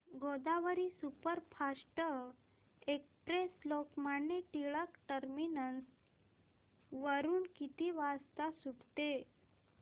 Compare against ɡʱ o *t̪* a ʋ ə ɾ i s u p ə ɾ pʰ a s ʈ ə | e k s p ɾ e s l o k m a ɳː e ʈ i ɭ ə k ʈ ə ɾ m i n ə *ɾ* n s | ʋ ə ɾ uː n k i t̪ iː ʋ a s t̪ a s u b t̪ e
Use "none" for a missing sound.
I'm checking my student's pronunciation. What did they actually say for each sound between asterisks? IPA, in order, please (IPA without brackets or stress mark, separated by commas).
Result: d̪, none